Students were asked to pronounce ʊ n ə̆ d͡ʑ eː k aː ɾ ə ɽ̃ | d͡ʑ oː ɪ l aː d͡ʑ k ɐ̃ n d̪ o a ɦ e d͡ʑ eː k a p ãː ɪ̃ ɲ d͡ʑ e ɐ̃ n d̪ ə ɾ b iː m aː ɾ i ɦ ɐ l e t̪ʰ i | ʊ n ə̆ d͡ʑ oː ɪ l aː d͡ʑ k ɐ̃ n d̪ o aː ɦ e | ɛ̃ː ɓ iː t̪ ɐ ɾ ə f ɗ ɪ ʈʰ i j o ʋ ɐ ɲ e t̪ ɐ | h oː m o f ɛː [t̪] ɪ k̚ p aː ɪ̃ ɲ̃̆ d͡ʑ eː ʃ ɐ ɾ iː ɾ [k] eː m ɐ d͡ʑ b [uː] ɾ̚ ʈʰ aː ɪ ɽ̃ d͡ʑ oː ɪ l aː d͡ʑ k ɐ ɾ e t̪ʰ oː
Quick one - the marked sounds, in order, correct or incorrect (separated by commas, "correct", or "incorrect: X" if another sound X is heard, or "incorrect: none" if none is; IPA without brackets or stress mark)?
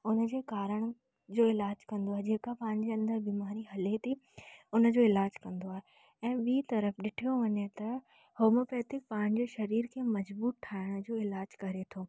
correct, incorrect: kʰ, correct